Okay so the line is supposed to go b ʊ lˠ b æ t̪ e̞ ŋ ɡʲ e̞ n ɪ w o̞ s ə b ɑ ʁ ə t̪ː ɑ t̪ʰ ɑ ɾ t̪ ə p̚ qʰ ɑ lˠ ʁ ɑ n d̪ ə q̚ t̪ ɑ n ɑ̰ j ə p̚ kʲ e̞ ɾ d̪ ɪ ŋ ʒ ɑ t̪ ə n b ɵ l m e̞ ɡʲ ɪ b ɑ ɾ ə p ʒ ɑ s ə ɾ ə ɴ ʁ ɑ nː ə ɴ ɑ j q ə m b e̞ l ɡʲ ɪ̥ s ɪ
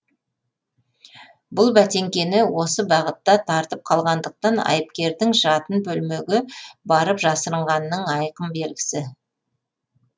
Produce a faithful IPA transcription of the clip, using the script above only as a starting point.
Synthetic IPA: b ʊ lˠ b æ t̪ e̞ ŋ kʲ e̞ n ɪ w o̞ s ə b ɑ ʁ ə t̪ː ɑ t̪ʰ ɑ ɾ t̪ ə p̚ qʰ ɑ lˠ ʁ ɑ n d̪ ə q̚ t̪ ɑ n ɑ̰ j ə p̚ kʲ e̞ ɾ d̪ ɪ ŋ ʒ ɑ t̪ ə n b ɵ l m e̞ ɡʲ ɪ b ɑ ɾ ə p ʒ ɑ s ə ɾ ə ɴ ʁ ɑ nː ə ɴ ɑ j q ə m b e̞ l ɡʲ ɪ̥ s ɪ